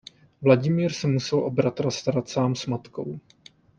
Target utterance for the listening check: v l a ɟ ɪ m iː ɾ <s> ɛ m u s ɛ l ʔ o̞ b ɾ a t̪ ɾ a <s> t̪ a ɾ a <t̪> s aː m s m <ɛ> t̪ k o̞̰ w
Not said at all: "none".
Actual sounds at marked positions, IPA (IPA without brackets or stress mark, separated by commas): s, s, t̪, a